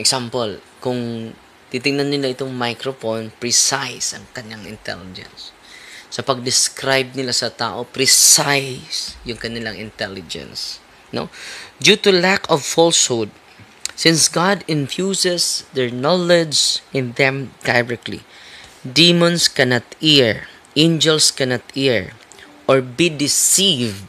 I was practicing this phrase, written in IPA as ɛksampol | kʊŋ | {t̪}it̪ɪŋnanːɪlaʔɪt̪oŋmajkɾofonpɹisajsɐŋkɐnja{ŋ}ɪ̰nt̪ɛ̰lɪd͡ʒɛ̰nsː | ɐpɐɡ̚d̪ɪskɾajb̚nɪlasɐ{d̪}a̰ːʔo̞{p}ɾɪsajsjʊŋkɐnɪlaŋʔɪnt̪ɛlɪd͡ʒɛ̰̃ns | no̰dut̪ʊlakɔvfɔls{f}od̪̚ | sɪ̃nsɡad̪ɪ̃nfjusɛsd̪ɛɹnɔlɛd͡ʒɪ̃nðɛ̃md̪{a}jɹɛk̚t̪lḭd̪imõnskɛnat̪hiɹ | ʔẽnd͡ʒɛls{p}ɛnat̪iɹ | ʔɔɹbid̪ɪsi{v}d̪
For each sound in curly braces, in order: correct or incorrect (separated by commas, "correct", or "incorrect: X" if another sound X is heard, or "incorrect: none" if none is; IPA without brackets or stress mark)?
correct, correct, incorrect: t̪, correct, incorrect: h, correct, incorrect: k, correct